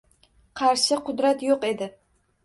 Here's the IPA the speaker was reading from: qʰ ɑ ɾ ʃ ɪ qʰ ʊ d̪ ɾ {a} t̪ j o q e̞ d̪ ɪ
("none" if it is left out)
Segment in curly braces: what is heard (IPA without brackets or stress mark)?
a